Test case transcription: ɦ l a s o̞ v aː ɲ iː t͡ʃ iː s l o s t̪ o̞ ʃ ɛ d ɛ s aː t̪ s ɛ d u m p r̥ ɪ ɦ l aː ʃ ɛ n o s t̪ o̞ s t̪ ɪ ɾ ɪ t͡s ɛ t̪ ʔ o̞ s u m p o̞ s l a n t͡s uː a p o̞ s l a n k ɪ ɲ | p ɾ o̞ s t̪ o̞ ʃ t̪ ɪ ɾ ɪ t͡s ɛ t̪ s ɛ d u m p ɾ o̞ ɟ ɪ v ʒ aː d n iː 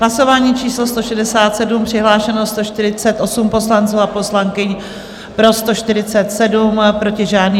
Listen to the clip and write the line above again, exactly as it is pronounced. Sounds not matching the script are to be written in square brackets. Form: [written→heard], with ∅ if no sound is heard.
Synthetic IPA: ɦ l a s o̞ v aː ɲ iː t͡ʃ iː s l o s t̪ o̞ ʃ ɛ d ɛ s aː t̪ s ɛ d u m p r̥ ɪ ɦ l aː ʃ ɛ n o s t̪ o̞ [s→ʃ] t̪ ɪ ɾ ɪ t͡s ɛ t̪ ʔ o̞ s u m p o̞ s l a n t͡s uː a p o̞ s l a [n→ŋ] k ɪ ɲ | p ɾ o̞ s t̪ o̞ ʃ t̪ ɪ ɾ ɪ t͡s ɛ t̪ s ɛ d u m p ɾ o̞ [ɟ→c] ɪ [v→∅] ʒ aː d n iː